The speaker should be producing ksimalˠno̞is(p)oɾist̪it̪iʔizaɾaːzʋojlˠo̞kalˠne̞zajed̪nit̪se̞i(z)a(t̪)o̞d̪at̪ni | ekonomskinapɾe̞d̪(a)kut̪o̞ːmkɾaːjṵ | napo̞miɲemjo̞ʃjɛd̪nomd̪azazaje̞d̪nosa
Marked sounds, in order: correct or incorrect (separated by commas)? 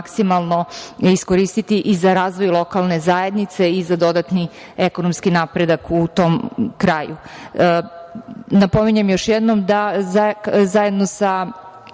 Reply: incorrect, correct, incorrect, correct